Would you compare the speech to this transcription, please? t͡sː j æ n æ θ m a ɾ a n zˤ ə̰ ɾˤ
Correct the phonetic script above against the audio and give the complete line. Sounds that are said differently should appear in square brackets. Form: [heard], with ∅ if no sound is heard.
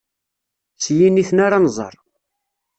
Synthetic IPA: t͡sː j [i] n [i] θ [n] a ɾ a n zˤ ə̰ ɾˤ